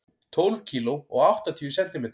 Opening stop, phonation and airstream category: aspirated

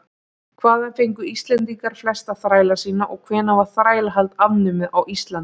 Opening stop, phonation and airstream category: aspirated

